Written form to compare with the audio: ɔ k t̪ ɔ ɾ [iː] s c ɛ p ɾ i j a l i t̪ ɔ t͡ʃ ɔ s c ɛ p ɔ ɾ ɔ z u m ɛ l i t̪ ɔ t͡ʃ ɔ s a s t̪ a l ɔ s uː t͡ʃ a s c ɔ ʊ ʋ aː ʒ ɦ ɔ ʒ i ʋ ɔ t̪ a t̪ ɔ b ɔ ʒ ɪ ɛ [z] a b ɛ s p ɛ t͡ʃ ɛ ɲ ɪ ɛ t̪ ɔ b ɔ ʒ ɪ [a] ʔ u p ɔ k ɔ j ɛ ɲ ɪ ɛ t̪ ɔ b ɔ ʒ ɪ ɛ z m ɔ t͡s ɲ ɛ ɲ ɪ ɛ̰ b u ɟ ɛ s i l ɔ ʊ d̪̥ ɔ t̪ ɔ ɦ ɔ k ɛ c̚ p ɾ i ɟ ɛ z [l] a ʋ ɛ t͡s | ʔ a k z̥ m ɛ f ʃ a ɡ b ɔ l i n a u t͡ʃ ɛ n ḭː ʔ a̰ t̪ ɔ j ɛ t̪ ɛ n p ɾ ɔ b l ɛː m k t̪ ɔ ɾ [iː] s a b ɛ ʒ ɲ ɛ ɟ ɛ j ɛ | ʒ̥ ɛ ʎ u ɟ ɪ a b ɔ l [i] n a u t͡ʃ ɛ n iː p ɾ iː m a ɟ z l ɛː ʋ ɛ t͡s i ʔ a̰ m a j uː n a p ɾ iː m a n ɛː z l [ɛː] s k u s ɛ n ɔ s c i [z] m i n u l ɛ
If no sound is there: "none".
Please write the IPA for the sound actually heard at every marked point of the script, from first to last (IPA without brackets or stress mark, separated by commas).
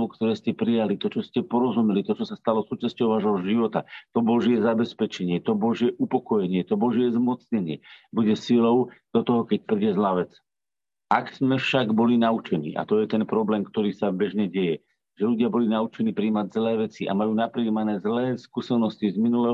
ɛː, z, ɛ, l, iː, i, ɛː, z